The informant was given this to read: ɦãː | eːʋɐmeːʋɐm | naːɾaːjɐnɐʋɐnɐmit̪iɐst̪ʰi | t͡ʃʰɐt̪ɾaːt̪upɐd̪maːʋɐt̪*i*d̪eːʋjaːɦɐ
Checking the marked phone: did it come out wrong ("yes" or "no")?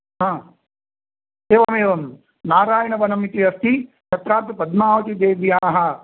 no